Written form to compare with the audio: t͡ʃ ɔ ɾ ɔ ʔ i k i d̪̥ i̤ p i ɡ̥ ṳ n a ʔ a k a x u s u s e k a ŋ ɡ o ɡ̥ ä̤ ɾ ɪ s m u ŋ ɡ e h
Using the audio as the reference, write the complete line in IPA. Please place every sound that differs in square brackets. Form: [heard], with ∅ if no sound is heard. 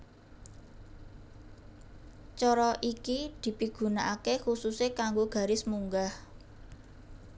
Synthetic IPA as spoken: t͡ʃ ɔ ɾ ɔ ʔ i k i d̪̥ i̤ p i ɡ̥ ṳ n a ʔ a k [e] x u s u s e k a ŋ ɡ o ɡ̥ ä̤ ɾ ɪ s m u ŋ ɡ [a] h